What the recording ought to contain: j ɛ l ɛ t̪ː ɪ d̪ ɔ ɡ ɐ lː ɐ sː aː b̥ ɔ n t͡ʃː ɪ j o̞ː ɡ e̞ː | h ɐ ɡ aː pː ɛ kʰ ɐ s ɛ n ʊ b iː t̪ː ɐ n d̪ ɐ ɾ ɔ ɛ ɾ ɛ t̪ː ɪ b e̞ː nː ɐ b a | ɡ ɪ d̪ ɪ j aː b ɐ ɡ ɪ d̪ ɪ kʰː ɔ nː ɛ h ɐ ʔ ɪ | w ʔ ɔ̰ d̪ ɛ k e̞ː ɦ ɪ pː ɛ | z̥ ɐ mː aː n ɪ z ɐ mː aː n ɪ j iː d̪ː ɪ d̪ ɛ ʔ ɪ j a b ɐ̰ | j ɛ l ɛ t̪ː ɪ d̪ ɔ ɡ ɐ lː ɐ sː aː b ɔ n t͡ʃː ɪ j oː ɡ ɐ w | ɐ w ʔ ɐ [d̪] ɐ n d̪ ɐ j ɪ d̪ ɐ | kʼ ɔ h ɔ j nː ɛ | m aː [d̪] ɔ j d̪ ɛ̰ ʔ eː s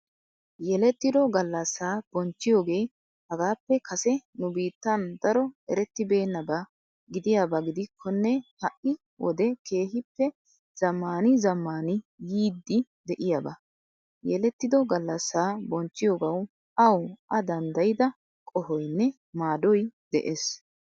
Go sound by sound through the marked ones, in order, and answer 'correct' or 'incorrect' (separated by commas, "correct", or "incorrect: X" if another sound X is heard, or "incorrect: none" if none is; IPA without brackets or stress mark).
correct, correct